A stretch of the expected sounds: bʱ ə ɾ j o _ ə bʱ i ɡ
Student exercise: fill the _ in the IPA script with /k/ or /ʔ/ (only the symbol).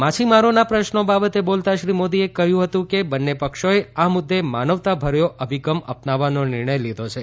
ʔ